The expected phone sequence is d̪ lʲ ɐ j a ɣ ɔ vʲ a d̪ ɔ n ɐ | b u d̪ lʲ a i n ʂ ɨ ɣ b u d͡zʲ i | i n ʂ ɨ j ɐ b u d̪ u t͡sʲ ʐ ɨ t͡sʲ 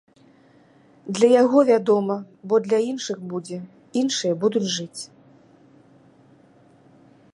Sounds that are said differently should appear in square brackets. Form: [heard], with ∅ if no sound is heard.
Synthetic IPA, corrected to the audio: d̪ lʲ ɐ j a ɣ ɔ vʲ a d̪ ɔ [m] ɐ | b [ɔ] d̪ lʲ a i n ʂ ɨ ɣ b u d͡zʲ [ɛ] | i n ʂ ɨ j ɐ b u d̪ u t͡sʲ ʐ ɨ t͡sʲ